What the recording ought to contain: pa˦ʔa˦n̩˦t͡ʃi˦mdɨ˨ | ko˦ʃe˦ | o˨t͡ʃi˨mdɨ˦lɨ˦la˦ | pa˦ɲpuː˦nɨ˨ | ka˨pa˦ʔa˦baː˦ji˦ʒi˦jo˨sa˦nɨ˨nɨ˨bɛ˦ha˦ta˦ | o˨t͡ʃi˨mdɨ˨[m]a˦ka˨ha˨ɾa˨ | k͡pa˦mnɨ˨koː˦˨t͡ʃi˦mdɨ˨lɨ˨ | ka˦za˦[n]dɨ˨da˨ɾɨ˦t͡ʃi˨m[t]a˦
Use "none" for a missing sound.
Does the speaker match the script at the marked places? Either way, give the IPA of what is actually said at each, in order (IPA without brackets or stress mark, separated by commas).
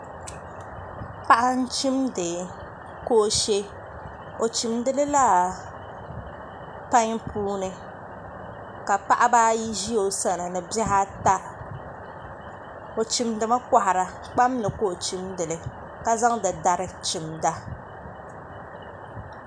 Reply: m, ŋ, d